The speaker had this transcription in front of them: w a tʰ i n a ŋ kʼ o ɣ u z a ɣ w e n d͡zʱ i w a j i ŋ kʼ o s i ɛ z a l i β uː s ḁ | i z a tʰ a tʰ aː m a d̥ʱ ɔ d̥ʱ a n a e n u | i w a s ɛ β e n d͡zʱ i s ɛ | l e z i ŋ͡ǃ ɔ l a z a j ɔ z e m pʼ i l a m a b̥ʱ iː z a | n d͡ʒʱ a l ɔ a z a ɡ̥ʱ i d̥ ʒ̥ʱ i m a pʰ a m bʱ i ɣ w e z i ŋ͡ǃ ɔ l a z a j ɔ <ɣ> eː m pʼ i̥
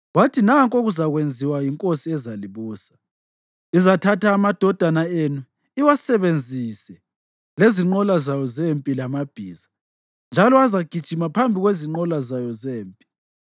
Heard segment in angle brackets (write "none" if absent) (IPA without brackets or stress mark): z